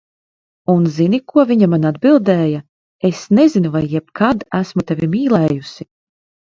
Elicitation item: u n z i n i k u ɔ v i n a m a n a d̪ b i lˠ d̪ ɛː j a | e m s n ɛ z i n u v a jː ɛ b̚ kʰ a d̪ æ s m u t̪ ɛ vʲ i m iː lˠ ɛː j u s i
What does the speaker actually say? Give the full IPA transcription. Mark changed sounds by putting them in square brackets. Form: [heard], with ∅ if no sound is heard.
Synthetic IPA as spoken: u n z i n i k u ɔ v i [ɲ] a m a n a d̪ b i lˠ d̪ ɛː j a | e [∅] s n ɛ z i n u v a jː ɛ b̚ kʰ a d̪ æ s m u t̪ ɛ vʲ i m iː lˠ ɛː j u s i